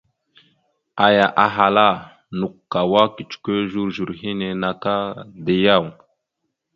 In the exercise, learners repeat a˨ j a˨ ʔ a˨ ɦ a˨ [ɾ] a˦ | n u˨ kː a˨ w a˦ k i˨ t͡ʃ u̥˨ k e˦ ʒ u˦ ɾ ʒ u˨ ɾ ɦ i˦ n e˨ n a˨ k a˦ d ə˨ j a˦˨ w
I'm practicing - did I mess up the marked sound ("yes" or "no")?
yes